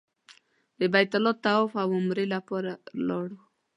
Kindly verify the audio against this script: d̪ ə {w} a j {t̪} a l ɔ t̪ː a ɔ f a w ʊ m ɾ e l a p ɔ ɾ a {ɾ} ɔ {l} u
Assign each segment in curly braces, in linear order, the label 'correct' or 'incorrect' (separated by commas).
incorrect, correct, incorrect, incorrect